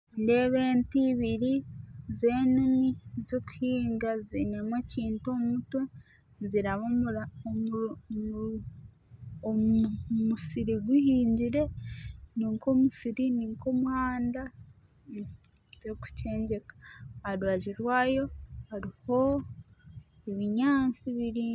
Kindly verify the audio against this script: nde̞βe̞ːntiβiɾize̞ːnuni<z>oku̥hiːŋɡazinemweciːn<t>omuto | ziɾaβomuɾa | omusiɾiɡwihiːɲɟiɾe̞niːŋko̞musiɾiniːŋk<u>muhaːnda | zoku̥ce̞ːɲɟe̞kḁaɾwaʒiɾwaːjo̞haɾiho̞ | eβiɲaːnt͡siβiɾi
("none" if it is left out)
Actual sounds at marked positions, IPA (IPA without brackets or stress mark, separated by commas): z, t, o